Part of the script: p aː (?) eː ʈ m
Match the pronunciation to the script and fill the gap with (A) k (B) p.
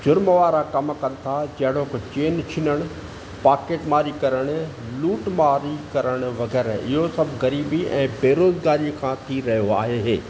A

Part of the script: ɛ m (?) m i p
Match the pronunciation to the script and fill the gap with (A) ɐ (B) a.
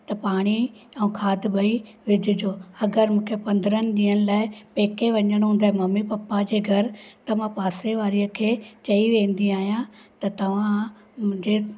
A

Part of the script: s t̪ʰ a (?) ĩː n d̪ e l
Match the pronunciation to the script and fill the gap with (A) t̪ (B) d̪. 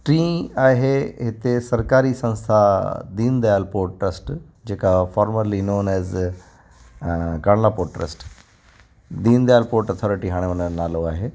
B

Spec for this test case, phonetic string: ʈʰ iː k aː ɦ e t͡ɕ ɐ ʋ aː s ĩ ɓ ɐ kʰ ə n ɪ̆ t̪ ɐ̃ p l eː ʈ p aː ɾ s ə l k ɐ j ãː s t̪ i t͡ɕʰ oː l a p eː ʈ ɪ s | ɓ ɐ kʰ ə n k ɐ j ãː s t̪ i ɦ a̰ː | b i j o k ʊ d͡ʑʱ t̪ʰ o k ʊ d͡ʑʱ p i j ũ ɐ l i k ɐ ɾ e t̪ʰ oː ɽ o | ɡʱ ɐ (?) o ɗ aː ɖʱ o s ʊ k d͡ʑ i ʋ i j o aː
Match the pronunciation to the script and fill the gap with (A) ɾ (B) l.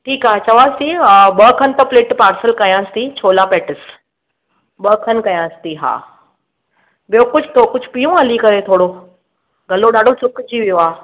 B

